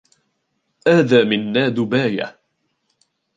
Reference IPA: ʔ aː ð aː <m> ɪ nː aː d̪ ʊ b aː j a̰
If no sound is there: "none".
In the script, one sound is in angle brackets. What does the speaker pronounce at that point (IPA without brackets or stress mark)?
m